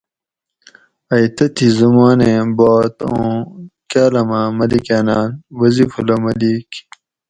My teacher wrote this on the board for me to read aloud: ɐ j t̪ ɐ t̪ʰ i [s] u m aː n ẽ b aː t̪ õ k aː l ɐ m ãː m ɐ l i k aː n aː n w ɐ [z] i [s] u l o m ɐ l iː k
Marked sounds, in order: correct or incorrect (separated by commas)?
incorrect, correct, incorrect